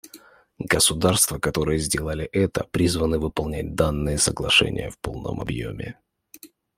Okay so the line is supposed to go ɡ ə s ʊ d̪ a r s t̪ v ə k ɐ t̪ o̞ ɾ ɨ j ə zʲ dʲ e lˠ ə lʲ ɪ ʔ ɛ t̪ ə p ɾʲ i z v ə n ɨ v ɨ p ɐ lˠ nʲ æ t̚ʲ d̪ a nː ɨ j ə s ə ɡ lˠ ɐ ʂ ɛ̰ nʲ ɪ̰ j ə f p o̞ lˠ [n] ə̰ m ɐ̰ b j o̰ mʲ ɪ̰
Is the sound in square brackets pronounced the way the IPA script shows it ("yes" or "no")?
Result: yes